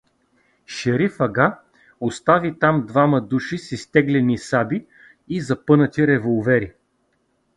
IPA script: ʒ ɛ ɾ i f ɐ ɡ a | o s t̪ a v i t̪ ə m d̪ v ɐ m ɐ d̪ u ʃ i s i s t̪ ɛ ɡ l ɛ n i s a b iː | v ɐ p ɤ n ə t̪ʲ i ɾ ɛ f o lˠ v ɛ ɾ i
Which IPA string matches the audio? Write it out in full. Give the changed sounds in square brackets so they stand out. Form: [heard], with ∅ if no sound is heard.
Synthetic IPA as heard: [ʃ] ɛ ɾ i f ɐ ɡ a | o s t̪ a v i t̪ [a] m d̪ v [a] m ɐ d̪ u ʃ i s i s t̪ ɛ ɡ l ɛ n i s a b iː | [z] ɐ p ɤ n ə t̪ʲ i ɾ ɛ [v] o lˠ v ɛ ɾ i